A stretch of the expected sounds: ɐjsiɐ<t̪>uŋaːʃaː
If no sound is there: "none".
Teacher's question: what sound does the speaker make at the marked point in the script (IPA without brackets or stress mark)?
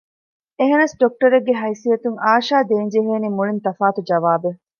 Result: t̪